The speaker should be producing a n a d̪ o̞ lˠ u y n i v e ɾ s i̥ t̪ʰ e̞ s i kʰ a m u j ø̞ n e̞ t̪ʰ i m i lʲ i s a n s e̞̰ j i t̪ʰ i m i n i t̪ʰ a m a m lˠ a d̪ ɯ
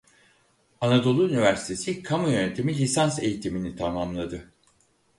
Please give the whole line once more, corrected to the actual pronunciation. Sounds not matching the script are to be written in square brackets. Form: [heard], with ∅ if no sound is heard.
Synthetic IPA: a n a d̪ o̞ lˠ u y n i v [æ] ɾ s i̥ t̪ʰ e̞ s i kʰ a m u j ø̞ n e̞ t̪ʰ i m i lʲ i s a n s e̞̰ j i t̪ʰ i m i n i t̪ʰ a m a m lˠ a d̪ ɯ